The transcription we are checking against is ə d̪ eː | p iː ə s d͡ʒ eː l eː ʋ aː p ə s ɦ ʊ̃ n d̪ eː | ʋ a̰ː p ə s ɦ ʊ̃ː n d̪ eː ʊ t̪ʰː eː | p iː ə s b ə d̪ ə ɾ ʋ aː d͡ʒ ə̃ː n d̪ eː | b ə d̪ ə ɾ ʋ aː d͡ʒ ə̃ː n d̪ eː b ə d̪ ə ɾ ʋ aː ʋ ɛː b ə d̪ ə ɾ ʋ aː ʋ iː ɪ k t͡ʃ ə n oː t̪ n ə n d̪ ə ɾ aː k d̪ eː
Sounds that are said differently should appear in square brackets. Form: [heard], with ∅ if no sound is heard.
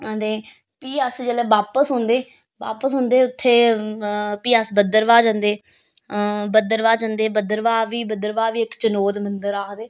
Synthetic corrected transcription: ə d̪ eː | p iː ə s d͡ʒ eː l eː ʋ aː p ə s ɦ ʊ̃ n d̪ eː | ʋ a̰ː p ə s ɦ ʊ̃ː n d̪ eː ʊ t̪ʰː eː | p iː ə s b ə d̪ ə ɾ ʋ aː d͡ʒ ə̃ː n d̪ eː | b ə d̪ ə ɾ ʋ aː d͡ʒ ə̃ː n d̪ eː b ə d̪ ə ɾ ʋ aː ʋ [iː] b ə d̪ ə ɾ ʋ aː ʋ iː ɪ k t͡ʃ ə n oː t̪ [m] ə n d̪ ə ɾ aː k d̪ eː